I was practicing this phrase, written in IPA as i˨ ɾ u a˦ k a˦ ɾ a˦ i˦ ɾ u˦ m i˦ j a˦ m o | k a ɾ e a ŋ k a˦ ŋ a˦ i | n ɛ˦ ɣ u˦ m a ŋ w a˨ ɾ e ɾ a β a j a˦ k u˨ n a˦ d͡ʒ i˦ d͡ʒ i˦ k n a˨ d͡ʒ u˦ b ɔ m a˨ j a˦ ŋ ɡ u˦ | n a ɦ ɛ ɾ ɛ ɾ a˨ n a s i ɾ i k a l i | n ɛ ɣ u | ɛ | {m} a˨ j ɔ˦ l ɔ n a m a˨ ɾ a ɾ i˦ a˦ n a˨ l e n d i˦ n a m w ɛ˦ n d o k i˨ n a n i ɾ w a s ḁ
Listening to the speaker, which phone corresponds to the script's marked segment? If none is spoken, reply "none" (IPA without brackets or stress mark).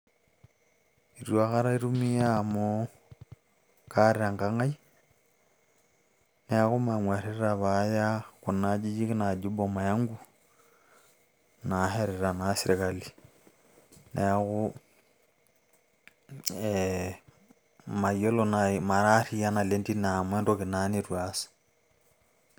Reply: m